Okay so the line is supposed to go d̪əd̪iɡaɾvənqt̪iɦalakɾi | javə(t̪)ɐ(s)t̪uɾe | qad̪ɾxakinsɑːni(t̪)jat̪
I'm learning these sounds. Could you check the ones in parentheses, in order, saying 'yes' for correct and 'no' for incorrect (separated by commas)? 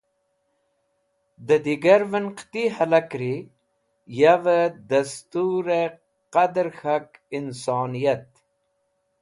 no, yes, no